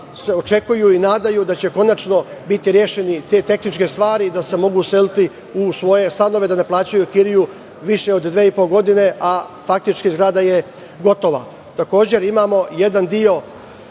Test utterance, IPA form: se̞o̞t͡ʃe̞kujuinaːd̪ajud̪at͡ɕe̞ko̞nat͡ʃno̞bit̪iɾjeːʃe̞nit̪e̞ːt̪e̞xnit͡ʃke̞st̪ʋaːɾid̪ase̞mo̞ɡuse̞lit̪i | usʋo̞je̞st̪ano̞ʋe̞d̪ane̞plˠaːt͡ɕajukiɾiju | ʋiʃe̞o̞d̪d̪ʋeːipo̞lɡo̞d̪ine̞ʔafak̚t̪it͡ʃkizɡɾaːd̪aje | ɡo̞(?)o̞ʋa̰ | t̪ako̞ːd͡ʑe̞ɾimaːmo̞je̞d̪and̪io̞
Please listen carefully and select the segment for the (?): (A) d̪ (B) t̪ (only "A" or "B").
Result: B